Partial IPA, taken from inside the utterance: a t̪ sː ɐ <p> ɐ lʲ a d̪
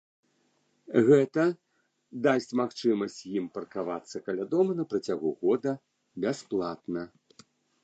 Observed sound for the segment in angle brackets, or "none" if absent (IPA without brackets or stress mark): k